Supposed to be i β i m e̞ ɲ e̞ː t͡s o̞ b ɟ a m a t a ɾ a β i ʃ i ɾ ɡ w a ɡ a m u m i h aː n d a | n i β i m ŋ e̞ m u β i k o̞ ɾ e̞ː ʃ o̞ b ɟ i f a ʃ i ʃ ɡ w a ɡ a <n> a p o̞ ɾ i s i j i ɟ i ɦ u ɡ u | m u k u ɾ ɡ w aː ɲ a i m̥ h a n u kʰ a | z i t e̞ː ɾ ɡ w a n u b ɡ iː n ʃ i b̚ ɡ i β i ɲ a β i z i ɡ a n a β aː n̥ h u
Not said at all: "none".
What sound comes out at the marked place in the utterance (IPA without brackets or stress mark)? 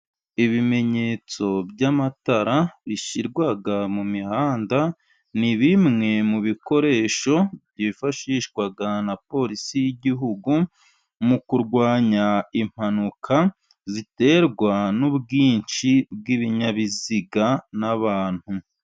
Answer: n